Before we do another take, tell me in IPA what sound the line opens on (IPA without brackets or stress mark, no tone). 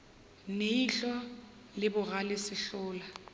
n